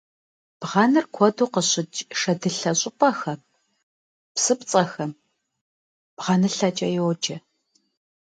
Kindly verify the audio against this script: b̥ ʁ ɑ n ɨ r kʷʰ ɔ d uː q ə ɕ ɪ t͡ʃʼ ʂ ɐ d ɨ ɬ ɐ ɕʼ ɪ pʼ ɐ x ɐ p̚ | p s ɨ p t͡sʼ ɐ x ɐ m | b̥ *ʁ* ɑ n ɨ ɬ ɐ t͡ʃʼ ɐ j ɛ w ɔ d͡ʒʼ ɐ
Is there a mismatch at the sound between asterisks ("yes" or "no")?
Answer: no